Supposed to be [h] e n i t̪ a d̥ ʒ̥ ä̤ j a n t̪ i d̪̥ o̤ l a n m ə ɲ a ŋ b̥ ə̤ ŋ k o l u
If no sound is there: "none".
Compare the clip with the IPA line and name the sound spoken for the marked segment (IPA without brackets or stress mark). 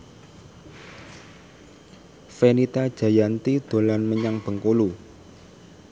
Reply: f